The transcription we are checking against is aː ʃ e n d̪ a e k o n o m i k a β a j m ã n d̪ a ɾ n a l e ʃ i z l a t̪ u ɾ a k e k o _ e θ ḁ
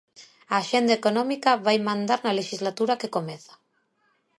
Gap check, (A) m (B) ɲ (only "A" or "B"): A